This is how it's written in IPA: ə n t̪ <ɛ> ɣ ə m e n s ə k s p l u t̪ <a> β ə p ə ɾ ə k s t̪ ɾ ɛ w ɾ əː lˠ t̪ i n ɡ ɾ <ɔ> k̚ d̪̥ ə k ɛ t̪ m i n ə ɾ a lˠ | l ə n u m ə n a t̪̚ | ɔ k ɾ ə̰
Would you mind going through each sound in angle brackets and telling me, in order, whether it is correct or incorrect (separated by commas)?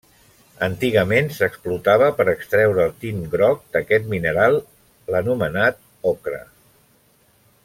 incorrect, correct, correct